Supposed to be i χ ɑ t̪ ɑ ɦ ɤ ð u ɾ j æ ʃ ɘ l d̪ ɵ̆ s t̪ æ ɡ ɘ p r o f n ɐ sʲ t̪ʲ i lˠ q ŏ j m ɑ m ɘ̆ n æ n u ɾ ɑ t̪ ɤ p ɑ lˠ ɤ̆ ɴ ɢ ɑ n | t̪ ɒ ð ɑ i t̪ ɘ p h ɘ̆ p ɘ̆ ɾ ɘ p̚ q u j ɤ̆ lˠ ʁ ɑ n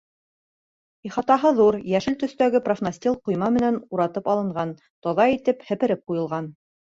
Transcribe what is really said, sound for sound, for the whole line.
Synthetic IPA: i χ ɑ t̪ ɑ ɦ ɤ ð u ɾ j æ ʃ ɘ l t̪ ɵ̆ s t̪ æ ɡ ɘ p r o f n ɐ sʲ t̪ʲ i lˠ q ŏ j m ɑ m ɘ̆ n æ n u ɾ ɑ t̪ ɤ p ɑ lˠ ɤ̆ ɴ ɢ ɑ n | t̪ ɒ ð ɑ i t̪ ɘ p h ɘ̆ p ɘ̆ ɾ ɘ p̚ q u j ɤ̆ lˠ ʁ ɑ n